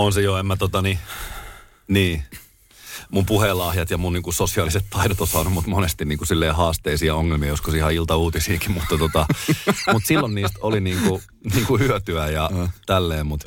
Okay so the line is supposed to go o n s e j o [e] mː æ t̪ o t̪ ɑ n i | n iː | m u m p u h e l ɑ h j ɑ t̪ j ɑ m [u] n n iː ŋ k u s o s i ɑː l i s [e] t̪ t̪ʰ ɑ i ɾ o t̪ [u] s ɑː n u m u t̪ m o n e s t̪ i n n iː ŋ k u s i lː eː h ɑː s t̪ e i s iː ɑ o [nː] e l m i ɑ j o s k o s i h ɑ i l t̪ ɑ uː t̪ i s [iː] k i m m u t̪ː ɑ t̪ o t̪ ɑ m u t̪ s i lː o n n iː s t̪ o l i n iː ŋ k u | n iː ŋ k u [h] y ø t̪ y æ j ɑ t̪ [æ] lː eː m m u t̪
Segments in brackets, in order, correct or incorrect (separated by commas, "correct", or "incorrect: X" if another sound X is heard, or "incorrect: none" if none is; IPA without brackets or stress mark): correct, correct, correct, incorrect: o, incorrect: ŋː, correct, correct, correct